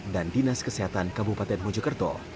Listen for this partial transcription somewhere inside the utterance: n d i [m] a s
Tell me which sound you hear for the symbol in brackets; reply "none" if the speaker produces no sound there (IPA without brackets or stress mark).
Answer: n